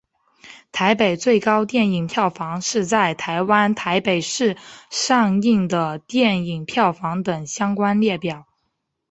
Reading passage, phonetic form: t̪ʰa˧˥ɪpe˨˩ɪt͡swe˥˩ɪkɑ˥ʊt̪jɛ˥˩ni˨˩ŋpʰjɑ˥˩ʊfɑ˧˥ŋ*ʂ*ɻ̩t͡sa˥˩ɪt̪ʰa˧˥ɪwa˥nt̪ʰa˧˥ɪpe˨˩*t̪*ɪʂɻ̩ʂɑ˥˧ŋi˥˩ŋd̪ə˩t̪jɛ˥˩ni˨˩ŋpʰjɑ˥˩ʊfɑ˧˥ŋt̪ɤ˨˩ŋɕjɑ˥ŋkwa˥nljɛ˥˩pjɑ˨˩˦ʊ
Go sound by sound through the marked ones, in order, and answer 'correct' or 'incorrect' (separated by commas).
correct, incorrect